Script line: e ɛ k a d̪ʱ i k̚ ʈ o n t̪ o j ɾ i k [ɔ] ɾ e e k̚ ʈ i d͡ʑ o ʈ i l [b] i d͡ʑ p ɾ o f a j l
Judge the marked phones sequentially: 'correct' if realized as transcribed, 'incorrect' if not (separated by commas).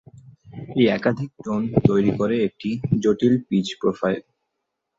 incorrect, incorrect